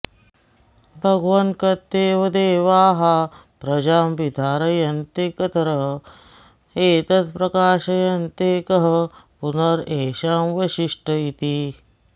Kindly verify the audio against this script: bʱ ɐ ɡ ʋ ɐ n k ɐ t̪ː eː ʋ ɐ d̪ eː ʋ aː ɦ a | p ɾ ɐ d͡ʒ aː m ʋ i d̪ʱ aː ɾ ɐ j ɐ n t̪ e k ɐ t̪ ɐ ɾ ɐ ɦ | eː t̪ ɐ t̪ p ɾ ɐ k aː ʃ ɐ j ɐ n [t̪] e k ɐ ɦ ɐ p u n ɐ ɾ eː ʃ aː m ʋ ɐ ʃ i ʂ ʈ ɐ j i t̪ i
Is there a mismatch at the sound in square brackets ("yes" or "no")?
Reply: no